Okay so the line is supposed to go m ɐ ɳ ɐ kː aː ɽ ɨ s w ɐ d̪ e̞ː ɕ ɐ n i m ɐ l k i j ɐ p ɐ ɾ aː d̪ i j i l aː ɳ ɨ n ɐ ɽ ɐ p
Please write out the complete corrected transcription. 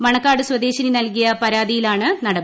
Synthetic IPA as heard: m ɐ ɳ ɐ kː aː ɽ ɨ s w ɐ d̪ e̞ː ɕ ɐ n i n ɐ l k i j ɐ p ɐ ɾ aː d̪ i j i l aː ɳ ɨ n ɐ ɽ ɐ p